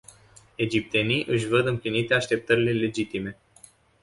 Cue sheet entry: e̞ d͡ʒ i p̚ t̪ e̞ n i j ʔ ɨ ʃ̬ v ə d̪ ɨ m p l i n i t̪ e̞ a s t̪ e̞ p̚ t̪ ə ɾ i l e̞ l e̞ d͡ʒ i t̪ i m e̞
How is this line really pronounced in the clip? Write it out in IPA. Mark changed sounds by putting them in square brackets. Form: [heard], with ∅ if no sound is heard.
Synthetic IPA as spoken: e̞ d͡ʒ i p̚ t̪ e̞ n i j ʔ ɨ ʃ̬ v ə d̪ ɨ m p l i n i t̪ e̞ a [ʃ] t̪ e̞ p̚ t̪ ə ɾ i l e̞ l e̞ d͡ʒ i t̪ i m e̞